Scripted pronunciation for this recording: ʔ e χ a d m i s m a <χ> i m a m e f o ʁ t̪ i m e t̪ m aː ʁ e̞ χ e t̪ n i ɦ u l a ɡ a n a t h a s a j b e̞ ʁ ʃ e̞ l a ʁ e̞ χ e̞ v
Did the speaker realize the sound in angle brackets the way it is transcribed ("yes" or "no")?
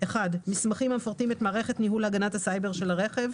yes